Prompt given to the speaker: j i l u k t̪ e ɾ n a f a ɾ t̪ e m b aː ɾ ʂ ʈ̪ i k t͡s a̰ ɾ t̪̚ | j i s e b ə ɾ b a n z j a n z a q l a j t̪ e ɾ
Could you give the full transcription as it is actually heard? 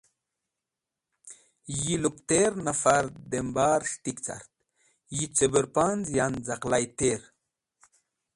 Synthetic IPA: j i l u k t̪ e ɾ n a f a ɾ d̪ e m b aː ɾ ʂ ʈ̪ i k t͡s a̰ ɾ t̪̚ | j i t͡s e b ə ɾ p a n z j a n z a q l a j t̪ e ɾ